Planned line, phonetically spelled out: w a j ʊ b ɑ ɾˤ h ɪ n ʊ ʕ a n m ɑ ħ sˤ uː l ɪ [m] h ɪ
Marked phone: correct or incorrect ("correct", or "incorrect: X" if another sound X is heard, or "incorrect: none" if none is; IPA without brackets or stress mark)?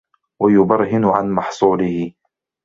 incorrect: none